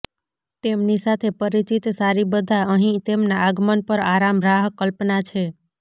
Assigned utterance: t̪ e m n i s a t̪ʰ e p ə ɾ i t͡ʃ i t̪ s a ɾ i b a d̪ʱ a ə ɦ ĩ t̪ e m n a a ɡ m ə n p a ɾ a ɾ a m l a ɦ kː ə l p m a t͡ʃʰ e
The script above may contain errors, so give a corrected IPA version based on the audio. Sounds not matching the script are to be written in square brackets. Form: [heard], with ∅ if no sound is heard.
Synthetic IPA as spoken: t̪ e m n i s a t̪ʰ e p ə ɾ i t͡ʃ i t̪ s a ɾ i b [ə] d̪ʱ a ə ɦ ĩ t̪ e m n a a ɡ m ə n p [ə] ɾ a ɾ a m [ɾ] a ɦ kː ə l p [n] a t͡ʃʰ e